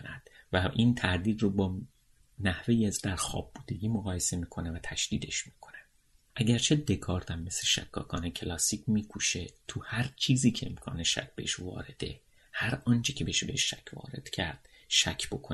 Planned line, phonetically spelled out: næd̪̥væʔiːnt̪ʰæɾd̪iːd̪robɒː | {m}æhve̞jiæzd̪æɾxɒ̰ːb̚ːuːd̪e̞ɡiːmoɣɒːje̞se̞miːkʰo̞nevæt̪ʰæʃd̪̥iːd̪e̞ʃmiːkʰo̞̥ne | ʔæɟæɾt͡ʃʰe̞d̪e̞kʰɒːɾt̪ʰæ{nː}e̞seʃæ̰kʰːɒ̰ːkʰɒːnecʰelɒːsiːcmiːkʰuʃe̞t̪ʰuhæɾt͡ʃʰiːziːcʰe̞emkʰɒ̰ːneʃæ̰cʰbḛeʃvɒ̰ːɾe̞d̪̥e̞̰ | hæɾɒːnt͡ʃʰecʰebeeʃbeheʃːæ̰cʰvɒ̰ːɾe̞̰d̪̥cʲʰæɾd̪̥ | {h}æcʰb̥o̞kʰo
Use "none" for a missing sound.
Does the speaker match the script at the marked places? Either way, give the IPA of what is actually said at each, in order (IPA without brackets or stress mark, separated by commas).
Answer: n, mː, ʃ